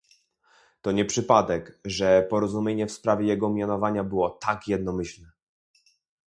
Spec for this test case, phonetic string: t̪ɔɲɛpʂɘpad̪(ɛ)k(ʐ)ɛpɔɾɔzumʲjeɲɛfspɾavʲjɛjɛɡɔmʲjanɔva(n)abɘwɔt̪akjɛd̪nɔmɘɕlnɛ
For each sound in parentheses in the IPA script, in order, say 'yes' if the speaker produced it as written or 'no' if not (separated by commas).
yes, yes, no